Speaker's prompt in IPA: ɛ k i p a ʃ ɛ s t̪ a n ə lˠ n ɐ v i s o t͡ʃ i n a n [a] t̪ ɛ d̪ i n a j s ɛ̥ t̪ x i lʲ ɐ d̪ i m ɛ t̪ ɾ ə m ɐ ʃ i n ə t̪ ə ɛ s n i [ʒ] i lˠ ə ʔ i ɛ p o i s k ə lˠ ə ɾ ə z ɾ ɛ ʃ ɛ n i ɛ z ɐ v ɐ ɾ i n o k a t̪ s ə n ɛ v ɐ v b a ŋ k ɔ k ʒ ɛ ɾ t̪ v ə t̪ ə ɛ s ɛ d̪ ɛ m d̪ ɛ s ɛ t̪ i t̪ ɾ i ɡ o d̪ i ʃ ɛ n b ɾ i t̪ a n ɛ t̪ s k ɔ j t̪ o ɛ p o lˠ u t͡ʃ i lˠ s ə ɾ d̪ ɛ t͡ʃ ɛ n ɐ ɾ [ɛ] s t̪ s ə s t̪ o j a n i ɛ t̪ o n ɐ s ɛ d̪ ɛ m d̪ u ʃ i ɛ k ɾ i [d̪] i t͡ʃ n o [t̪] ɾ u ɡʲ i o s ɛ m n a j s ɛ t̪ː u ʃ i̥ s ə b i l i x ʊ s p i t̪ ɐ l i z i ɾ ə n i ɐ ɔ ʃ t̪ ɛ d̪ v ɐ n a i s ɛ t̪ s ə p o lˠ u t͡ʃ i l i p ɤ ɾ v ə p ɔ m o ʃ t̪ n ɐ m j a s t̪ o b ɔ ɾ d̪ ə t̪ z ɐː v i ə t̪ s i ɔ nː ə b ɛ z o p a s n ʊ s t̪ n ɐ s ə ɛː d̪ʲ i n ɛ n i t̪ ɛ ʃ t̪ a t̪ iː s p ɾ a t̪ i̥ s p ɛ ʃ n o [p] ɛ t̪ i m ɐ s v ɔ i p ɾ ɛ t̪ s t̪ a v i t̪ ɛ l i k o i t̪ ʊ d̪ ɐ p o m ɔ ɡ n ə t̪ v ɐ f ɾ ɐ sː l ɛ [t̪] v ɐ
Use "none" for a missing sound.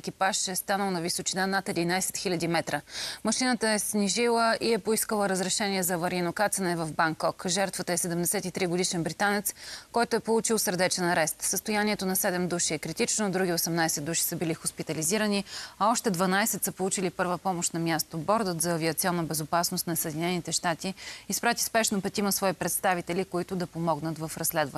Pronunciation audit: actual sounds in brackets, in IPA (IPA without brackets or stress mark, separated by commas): a, ʒ, ɛ, t̪, d̪, p, d̪